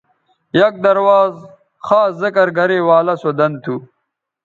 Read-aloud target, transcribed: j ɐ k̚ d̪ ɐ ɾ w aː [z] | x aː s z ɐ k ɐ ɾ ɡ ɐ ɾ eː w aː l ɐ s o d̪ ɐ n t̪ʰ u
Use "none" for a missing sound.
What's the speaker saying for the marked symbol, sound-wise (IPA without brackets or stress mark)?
z